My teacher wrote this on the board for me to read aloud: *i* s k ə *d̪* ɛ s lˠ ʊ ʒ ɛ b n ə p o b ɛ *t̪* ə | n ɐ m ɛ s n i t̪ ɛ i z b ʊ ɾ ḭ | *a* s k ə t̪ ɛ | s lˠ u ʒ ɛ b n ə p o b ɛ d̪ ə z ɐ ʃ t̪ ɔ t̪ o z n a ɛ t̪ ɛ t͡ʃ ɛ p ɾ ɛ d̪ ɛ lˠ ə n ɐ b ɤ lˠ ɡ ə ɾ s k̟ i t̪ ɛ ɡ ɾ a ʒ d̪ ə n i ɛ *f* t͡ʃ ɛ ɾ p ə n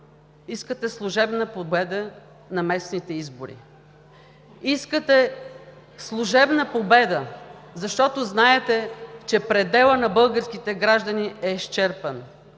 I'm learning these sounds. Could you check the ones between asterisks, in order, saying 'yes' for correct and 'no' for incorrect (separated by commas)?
yes, no, no, no, no